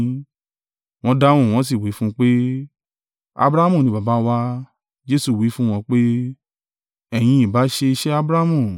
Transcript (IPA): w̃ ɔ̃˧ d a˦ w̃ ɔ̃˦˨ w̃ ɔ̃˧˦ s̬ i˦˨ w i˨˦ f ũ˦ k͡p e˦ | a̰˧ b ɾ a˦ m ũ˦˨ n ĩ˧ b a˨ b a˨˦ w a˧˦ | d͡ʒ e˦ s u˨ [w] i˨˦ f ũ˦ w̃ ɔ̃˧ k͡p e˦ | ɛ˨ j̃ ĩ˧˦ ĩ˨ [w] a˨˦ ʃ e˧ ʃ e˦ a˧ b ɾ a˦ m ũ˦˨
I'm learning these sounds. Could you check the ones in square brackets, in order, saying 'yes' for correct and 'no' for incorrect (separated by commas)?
yes, no